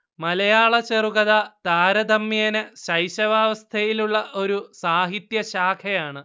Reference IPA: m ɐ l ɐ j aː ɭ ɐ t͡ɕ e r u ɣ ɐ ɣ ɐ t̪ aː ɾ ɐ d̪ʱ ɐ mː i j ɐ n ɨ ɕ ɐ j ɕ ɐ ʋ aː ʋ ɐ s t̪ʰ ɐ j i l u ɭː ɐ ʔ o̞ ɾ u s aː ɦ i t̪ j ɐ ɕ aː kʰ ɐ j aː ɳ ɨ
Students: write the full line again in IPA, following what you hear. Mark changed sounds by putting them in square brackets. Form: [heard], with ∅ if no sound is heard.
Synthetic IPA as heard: m ɐ l ɐ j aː ɭ ɐ t͡ɕ e r u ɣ ɐ [ð] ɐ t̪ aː ɾ ɐ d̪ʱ ɐ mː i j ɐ n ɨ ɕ ɐ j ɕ ɐ ʋ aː ʋ ɐ s t̪ʰ ɐ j i l u ɭː ɐ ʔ o̞ ɾ u s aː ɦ i t̪ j ɐ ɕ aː kʰ ɐ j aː ɳ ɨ